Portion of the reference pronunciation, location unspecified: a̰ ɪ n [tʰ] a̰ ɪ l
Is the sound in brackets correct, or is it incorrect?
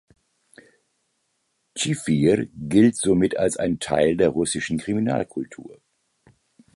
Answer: correct